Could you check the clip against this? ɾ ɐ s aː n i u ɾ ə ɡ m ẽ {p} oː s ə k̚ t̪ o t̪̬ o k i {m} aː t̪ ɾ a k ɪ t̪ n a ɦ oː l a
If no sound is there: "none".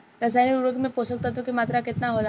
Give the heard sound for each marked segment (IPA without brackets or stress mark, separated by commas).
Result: p, m